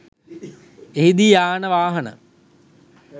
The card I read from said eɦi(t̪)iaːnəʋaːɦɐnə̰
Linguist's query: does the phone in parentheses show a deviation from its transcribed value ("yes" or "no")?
yes